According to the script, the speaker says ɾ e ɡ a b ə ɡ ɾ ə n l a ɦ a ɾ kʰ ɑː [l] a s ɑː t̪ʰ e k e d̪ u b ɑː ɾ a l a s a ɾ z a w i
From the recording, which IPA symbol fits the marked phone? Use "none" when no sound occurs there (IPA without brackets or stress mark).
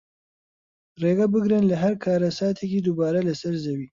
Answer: ɾ